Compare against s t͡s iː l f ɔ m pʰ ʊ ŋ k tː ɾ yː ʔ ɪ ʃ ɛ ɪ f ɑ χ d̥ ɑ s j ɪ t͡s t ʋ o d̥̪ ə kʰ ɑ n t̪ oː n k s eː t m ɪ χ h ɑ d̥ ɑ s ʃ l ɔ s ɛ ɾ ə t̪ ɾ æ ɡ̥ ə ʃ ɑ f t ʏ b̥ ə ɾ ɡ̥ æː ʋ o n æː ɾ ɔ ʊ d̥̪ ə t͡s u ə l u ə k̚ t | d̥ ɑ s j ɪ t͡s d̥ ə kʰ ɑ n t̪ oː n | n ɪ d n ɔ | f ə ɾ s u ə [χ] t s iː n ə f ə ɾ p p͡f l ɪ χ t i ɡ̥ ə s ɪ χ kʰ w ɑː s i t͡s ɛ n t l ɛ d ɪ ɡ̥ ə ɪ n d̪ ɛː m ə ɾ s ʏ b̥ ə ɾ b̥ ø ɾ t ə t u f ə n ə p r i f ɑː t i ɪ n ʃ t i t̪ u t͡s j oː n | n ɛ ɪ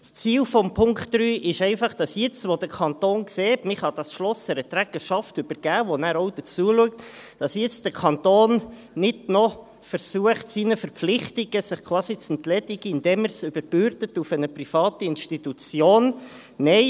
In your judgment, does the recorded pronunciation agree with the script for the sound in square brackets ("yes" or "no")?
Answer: yes